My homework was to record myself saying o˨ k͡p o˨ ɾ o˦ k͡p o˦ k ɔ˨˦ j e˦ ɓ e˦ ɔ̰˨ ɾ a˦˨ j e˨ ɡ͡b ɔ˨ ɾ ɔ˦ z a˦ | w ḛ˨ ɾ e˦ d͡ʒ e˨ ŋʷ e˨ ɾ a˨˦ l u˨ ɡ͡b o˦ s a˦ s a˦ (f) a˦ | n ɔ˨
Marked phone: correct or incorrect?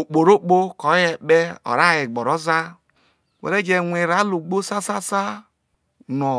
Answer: incorrect